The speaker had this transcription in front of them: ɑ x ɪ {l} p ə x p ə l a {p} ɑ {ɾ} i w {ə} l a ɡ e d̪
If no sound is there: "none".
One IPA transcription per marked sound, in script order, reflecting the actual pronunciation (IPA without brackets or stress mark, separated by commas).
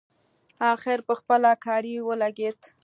ɾ, k, ɾ, ə